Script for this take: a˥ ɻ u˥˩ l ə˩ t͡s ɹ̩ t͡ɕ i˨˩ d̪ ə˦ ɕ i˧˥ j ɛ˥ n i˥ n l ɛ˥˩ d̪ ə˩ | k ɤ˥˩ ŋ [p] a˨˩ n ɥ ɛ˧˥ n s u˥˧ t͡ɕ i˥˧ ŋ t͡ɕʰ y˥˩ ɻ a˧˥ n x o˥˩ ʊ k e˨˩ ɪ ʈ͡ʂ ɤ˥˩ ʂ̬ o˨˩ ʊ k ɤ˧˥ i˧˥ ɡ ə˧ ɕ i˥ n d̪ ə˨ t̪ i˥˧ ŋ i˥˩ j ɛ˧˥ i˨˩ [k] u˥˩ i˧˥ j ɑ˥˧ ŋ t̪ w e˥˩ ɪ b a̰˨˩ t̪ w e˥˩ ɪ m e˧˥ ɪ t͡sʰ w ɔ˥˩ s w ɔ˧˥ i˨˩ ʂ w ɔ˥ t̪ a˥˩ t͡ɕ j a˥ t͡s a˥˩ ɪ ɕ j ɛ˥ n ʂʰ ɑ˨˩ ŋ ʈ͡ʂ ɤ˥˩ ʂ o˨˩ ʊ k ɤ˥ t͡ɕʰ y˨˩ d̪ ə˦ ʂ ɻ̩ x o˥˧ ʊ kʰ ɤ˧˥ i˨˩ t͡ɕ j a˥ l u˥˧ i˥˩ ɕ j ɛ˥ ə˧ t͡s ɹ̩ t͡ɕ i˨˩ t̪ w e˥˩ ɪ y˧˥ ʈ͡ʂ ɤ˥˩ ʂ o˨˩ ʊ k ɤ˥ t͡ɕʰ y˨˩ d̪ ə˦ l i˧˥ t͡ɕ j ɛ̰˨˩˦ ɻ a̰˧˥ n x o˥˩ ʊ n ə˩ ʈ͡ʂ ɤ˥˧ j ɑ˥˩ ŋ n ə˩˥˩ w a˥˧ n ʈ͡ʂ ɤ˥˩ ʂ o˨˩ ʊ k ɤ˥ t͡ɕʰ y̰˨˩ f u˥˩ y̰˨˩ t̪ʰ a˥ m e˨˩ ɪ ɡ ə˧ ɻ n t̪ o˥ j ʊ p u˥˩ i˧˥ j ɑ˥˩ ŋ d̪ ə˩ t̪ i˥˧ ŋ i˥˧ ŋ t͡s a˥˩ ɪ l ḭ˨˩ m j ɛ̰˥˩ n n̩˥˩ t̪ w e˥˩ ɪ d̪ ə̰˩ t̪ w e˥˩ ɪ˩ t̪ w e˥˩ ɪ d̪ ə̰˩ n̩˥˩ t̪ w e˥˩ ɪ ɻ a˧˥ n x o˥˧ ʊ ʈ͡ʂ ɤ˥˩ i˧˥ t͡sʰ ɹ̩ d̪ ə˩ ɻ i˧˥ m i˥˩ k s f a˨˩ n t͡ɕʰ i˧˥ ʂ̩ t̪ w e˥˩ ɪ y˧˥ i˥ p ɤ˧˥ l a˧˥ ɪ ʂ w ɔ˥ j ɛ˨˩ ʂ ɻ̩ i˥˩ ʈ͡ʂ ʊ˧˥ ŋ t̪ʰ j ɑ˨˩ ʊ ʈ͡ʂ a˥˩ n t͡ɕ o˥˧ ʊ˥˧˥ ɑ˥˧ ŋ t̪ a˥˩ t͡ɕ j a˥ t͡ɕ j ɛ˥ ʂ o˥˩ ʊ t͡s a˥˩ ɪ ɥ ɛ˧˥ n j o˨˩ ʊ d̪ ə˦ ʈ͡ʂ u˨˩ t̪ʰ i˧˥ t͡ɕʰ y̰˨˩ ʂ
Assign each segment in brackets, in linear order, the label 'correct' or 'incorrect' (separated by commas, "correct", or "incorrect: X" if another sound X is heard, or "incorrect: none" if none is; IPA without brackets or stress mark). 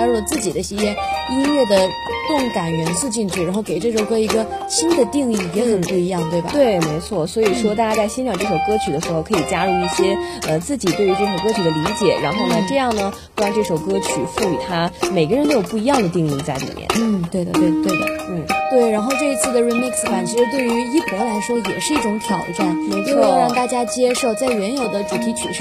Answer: incorrect: k, incorrect: p